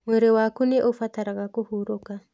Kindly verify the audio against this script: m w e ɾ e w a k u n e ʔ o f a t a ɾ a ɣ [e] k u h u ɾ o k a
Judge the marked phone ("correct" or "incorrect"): incorrect